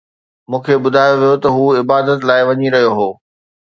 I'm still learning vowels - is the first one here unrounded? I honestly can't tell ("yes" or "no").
no